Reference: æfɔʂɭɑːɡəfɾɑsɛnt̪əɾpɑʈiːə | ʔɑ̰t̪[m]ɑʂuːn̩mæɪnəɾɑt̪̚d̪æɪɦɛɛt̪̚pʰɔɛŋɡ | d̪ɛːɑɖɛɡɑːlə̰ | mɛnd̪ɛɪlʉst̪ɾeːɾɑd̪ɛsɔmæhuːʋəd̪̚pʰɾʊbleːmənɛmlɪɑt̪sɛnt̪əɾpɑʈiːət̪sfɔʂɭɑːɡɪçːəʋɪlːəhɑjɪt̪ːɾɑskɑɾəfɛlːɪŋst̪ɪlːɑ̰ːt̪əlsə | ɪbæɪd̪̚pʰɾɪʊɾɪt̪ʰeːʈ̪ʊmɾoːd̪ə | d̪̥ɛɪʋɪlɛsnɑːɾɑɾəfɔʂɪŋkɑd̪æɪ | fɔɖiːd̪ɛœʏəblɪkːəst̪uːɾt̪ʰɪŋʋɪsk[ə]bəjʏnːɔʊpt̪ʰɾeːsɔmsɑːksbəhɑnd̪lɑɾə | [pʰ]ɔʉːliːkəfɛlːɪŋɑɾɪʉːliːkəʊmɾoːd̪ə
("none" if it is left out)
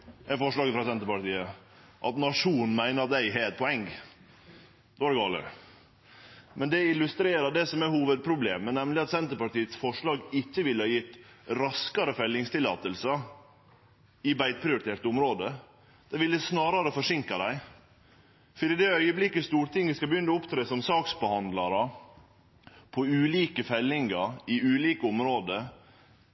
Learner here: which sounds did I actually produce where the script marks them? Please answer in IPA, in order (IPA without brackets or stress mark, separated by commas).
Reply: n, ɑ, pʰ